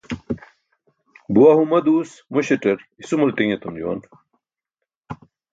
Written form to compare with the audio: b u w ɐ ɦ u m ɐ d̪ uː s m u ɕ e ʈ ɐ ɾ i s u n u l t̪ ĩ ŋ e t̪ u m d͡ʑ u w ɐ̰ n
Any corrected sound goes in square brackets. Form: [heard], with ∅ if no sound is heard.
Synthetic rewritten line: b u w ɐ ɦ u m ɐ d̪ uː s m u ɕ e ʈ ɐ ɾ i s u [m] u l t̪ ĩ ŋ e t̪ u m d͡ʑ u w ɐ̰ n